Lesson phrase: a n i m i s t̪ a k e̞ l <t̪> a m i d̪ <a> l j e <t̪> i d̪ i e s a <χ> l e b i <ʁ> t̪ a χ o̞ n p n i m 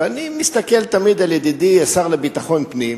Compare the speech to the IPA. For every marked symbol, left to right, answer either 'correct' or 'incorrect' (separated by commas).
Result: correct, correct, incorrect, incorrect, incorrect